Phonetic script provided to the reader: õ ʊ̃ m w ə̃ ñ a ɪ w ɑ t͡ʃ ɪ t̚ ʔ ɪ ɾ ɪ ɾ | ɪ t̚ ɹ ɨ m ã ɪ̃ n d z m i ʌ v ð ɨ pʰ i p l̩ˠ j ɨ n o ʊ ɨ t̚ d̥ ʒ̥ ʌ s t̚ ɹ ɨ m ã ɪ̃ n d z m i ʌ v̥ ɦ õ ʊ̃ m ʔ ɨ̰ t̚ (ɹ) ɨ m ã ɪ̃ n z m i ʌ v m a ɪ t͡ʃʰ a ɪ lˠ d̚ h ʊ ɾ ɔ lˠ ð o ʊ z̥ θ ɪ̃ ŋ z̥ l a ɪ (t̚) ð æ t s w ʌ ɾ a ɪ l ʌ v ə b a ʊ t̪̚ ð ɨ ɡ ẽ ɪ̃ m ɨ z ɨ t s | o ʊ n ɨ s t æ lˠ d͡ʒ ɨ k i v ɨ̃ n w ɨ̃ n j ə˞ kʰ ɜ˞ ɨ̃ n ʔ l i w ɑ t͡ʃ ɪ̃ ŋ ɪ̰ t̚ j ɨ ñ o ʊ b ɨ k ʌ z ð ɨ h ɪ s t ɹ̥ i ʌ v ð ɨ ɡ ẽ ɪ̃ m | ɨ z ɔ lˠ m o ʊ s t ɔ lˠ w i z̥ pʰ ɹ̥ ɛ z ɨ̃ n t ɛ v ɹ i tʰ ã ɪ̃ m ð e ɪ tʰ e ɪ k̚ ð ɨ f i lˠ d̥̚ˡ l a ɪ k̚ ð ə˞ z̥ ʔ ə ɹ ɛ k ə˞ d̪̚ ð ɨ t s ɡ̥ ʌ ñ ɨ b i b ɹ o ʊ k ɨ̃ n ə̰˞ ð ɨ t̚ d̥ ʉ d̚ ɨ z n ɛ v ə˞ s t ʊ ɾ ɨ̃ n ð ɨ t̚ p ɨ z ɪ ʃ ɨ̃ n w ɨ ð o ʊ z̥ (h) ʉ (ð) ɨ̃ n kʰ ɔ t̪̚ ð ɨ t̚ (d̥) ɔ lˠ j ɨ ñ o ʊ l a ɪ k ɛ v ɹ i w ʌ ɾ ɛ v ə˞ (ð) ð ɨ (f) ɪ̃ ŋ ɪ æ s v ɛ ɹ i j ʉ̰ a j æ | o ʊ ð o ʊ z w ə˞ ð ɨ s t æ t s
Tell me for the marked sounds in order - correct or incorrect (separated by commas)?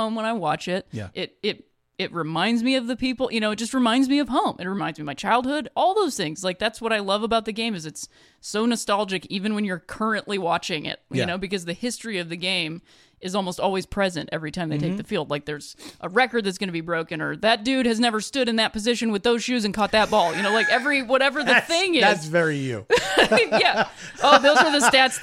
correct, incorrect, incorrect, incorrect, incorrect, correct, incorrect